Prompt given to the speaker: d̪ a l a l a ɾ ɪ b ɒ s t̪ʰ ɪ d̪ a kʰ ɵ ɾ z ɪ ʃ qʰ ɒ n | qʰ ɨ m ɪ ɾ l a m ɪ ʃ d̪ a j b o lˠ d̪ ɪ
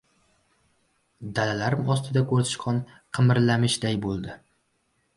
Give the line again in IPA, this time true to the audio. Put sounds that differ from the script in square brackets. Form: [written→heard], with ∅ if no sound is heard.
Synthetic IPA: d̪ a l a l a ɾ ɪ [b→m] ɒ s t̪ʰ ɪ d̪ a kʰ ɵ ɾ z ɪ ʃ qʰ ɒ n | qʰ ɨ m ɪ ɾ l a m ɪ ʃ d̪ a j b o lˠ d̪ ɪ